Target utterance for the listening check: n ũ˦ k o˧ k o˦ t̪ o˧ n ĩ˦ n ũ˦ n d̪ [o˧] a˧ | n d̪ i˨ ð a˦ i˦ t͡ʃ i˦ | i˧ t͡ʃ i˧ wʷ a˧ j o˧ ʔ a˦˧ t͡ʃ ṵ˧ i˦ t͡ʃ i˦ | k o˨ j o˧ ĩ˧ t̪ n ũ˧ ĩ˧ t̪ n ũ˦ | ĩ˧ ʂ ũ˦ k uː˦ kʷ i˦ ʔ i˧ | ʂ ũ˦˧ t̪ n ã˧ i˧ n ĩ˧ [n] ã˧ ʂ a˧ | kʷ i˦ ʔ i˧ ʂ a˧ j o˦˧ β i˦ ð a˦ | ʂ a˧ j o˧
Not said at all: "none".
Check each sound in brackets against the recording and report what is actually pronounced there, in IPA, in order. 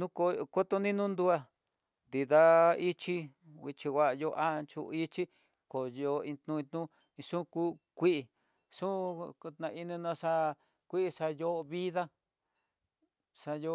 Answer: u˧, n

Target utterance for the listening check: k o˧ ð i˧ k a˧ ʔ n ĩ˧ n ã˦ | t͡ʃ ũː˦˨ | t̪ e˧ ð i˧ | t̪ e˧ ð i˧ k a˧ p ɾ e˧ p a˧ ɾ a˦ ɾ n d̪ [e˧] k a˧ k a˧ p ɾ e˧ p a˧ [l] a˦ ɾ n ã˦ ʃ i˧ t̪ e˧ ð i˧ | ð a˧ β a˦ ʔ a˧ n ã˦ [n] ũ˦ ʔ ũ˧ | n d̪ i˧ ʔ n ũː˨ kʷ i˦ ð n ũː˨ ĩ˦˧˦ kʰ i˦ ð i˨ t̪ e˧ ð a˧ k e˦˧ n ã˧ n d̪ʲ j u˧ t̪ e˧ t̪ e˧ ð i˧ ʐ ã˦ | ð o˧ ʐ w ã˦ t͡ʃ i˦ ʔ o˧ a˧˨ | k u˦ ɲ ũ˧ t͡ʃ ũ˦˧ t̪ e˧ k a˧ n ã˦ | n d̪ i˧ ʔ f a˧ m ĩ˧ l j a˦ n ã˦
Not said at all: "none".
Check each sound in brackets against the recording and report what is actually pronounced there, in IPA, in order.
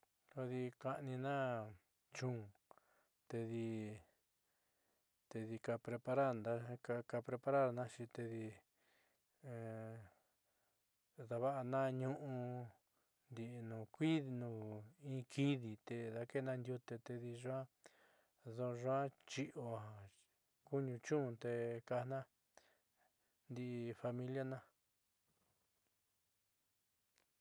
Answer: a˧, ɾ, ɲ

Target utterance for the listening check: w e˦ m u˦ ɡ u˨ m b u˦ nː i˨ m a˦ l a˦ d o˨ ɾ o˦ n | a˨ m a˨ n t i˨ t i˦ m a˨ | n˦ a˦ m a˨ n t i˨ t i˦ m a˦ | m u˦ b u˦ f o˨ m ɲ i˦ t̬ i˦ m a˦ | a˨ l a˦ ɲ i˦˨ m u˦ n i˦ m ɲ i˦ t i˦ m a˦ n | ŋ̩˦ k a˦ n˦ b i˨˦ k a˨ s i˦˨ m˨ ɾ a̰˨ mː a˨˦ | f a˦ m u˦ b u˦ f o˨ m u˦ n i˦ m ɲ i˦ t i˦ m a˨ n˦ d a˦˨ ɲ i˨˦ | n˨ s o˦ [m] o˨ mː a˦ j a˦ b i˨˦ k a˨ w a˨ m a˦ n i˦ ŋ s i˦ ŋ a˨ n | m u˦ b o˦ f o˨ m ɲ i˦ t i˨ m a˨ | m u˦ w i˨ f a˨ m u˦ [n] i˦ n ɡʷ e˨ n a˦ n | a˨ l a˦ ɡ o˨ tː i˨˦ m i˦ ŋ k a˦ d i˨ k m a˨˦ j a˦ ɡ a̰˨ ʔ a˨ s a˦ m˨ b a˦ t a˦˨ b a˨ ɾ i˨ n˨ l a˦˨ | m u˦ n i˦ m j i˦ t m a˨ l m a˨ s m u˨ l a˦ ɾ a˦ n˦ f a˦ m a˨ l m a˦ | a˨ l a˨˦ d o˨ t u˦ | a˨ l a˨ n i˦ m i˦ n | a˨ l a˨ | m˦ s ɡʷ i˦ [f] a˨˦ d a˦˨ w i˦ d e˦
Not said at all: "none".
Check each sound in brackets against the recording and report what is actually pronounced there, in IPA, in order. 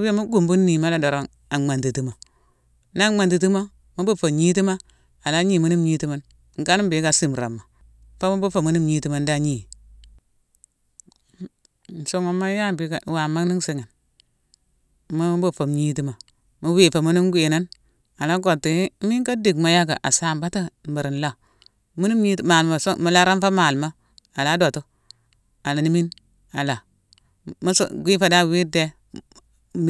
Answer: ŋ, n, f

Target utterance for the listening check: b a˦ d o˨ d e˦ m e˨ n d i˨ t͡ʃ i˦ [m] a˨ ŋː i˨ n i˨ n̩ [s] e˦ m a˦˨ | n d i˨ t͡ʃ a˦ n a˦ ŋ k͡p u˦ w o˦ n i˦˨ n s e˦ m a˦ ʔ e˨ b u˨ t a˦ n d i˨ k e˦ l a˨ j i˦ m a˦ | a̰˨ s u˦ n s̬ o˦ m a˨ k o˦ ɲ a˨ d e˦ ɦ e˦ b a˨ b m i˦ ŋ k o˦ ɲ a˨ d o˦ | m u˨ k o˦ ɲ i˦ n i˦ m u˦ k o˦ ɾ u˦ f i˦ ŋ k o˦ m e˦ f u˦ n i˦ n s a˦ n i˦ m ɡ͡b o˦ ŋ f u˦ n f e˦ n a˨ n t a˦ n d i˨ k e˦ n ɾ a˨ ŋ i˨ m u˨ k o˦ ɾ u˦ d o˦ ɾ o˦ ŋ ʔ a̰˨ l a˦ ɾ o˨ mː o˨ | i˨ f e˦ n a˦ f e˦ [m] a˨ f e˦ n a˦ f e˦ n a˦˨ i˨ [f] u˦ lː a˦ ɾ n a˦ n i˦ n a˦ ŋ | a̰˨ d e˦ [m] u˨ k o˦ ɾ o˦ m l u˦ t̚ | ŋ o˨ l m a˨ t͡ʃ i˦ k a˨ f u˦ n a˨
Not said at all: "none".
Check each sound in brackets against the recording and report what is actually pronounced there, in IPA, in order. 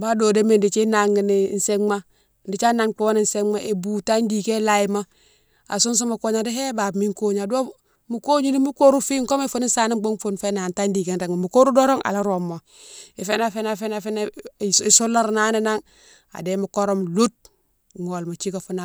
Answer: n, s, n, s, m

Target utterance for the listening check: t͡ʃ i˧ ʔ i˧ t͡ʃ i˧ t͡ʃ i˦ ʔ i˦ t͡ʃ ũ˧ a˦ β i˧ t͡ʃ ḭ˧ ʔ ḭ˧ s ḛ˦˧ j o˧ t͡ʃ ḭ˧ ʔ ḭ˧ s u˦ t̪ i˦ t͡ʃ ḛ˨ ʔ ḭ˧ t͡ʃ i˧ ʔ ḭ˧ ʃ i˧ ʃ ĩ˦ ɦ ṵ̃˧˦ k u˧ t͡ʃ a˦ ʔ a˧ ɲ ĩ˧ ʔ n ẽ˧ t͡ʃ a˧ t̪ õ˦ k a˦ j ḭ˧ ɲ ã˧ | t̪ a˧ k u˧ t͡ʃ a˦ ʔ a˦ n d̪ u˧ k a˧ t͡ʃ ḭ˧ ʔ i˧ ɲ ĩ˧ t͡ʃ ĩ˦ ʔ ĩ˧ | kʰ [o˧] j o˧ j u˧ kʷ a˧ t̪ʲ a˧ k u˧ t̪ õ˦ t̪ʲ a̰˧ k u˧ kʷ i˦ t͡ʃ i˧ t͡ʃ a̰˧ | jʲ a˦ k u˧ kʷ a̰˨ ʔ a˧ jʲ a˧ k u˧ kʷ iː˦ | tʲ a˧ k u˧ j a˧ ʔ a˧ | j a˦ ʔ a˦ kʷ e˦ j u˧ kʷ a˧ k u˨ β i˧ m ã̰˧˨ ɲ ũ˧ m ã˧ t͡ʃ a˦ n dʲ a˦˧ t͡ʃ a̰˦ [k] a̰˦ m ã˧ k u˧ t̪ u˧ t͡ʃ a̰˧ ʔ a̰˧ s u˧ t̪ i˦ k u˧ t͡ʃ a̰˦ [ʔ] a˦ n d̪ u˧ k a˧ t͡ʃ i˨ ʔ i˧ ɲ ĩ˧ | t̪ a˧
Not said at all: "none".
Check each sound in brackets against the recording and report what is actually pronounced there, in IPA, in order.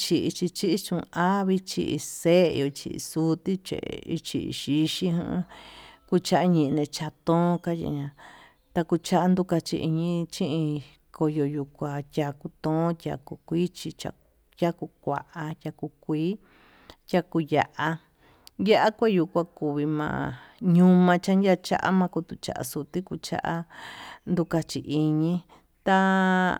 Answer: o˧, ʔ, ʔ

